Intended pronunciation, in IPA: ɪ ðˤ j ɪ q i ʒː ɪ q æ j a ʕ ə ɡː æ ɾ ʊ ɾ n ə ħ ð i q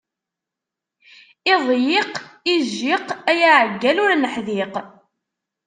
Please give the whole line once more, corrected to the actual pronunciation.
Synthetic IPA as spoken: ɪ ðˤ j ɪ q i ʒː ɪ q æ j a ʕ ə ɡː æ l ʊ ɾ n ə ħ ð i q